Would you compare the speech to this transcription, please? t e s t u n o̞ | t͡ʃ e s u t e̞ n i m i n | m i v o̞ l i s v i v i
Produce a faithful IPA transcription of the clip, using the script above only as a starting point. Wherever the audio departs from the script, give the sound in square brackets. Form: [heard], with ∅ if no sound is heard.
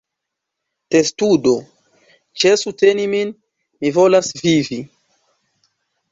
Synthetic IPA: t e s t u [d] o̞ | t͡ʃ e s u t e̞ n i m i n | m i v o̞ l [a] s v i v i